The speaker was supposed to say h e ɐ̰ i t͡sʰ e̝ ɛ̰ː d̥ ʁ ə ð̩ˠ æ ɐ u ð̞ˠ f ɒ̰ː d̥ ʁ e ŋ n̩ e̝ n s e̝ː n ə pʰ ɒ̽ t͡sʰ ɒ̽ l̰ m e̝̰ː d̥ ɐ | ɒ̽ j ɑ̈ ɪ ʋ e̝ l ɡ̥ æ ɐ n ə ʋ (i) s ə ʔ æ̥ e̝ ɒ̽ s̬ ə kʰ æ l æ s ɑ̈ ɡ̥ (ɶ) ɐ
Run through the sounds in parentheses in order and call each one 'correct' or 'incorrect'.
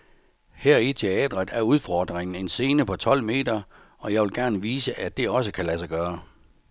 incorrect: iː, incorrect: ɶː

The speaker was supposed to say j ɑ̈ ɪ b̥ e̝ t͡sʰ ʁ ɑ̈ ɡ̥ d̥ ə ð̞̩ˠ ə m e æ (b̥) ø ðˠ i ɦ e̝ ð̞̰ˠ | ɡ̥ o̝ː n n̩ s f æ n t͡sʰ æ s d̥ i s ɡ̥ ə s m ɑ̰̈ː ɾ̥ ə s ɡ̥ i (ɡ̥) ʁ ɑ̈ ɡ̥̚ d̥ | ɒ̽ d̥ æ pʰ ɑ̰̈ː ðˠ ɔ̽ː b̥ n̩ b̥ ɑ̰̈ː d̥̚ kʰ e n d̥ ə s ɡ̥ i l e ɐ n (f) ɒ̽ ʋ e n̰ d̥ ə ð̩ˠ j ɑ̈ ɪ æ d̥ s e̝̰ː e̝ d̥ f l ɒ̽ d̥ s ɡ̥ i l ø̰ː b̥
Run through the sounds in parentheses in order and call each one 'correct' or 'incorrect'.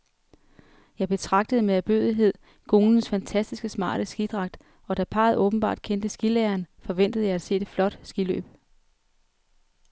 correct, incorrect: d̥, correct

